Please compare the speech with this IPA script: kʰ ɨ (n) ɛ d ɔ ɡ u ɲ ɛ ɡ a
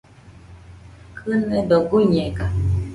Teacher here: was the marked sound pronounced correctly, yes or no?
yes